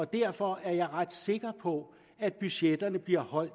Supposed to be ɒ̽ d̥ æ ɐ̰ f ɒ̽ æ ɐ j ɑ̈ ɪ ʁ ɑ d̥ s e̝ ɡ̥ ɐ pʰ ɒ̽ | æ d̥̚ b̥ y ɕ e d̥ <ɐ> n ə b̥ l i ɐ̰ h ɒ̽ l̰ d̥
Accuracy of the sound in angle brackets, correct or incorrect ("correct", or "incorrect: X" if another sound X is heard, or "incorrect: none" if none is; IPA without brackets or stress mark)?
correct